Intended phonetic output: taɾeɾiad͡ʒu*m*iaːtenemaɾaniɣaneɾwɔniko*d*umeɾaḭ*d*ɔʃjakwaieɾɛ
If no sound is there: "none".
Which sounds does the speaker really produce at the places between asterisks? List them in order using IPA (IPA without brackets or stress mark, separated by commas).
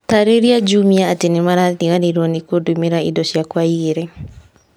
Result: m, d, d